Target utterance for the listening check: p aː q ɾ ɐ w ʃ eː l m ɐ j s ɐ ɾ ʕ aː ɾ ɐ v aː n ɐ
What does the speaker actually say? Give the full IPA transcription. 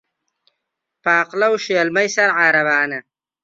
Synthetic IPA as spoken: p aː q l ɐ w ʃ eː l m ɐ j s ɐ ɾ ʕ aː ɾ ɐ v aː n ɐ